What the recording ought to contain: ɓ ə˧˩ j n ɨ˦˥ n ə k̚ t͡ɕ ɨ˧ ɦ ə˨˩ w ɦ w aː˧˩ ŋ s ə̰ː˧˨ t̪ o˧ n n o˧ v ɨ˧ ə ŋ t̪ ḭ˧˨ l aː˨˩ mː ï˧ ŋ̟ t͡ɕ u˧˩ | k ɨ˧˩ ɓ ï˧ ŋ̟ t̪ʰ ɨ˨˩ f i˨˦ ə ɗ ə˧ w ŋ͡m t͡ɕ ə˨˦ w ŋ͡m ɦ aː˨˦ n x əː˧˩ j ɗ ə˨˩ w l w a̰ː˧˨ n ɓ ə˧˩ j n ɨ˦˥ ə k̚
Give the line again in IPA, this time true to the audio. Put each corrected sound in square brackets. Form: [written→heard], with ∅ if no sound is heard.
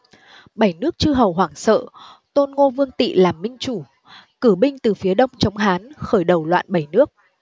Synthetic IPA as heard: ɓ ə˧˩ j n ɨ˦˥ [n→∅] ə k̚ t͡ɕ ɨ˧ ɦ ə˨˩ w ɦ w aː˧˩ ŋ s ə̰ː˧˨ t̪ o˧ n [n→ŋ] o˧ v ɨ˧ ə ŋ t̪ ḭ˧˨ l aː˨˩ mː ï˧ ŋ̟ t͡ɕ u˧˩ | k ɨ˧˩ ɓ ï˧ ŋ̟ [t̪ʰ→t̪] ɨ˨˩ f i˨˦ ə ɗ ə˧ w ŋ͡m t͡ɕ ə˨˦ w ŋ͡m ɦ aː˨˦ n x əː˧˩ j ɗ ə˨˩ w l w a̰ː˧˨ n ɓ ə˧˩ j n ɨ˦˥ ə k̚